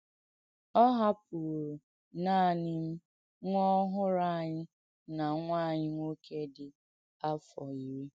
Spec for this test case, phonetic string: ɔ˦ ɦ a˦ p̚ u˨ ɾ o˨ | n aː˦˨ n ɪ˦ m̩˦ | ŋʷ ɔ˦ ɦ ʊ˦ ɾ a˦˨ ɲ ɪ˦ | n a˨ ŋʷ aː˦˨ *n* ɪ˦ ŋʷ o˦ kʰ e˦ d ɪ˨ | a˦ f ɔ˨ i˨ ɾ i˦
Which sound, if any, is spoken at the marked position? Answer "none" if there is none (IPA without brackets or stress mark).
ɲ